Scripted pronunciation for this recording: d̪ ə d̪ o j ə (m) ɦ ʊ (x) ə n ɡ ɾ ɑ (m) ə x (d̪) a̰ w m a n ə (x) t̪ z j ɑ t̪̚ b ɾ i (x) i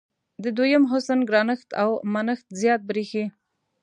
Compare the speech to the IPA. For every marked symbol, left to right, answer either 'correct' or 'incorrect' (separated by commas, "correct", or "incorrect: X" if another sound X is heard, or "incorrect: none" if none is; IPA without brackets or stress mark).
correct, incorrect: s, incorrect: n, incorrect: t̪, correct, correct